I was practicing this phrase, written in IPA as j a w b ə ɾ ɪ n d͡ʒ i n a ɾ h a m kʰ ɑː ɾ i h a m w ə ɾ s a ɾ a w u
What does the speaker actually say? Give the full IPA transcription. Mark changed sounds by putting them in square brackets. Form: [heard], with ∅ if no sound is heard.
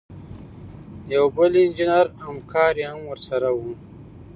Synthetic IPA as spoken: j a w b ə [l] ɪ n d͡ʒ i n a ɾ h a m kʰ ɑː ɾ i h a m w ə ɾ s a ɾ a w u